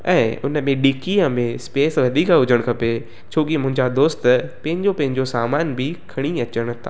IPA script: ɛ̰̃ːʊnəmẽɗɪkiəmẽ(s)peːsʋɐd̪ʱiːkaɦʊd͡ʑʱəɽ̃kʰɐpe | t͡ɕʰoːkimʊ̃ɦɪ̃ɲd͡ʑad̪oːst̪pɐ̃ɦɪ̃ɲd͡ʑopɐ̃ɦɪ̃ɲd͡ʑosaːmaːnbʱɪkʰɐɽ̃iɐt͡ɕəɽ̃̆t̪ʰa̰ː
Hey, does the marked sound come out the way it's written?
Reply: yes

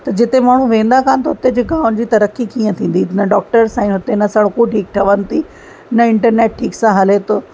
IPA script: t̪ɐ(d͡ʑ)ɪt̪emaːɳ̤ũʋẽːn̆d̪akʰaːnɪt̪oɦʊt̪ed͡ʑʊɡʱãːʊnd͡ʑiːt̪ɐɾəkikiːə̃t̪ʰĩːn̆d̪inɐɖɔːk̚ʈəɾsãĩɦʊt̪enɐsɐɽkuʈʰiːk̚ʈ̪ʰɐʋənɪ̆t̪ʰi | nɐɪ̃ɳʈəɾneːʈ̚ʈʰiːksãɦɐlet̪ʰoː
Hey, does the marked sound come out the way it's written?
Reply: yes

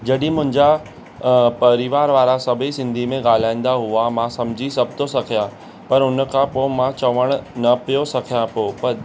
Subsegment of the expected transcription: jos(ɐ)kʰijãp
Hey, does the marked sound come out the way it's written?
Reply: yes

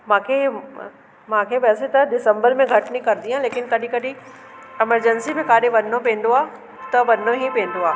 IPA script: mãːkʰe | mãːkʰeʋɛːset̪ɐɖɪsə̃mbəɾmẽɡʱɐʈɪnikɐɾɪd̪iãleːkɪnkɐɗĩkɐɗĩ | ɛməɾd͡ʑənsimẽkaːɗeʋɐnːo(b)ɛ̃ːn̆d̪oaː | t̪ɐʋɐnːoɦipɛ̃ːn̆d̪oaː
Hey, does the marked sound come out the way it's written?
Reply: no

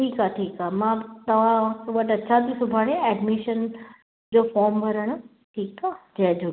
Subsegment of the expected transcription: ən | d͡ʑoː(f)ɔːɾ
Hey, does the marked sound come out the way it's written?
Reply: yes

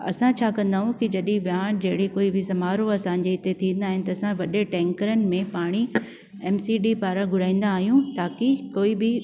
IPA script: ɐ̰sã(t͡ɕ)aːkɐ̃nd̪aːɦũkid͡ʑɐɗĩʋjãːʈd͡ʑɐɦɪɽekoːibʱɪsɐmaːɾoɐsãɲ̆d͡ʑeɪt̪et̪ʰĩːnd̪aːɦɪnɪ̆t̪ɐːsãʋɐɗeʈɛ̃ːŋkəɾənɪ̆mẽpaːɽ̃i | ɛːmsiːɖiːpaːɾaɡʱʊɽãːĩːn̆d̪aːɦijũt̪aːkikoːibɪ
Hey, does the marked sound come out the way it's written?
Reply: no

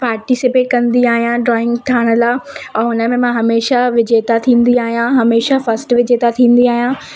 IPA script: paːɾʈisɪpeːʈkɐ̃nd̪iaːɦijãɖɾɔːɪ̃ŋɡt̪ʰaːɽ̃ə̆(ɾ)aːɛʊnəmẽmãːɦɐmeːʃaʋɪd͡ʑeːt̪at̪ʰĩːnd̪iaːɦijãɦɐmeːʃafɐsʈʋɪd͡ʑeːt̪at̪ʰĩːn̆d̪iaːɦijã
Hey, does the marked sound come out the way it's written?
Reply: no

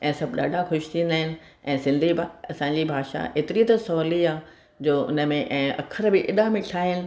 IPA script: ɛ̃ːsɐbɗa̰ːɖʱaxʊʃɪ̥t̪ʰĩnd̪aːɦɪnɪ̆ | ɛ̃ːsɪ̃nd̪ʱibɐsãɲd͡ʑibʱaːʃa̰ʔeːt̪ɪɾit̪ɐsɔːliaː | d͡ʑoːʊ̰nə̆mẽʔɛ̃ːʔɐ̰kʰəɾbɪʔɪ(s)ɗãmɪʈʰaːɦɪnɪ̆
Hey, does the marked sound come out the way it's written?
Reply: no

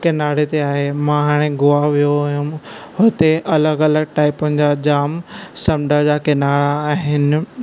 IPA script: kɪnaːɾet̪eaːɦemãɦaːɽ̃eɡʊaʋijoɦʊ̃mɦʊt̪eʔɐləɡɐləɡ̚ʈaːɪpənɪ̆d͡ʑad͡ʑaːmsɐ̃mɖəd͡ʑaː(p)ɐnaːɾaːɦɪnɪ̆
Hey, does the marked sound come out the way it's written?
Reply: no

